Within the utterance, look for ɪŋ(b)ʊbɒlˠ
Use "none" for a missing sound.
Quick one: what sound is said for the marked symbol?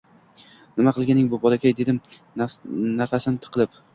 b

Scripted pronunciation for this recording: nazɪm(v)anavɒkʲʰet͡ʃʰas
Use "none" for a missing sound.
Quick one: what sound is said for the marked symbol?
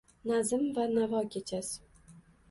v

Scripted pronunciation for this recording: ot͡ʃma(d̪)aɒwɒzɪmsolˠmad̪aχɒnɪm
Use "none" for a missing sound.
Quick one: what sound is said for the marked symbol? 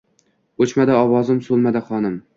d̪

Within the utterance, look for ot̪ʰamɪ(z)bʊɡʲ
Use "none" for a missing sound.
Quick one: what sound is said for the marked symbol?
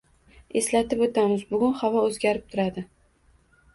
z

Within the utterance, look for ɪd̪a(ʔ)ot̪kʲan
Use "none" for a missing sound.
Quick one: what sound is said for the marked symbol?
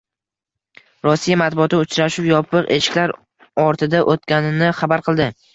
ʔ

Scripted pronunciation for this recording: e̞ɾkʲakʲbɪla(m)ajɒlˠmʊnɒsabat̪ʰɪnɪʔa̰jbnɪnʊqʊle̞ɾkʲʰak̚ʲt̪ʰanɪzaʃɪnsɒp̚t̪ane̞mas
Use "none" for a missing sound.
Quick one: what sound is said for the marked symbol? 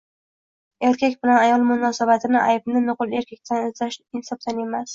n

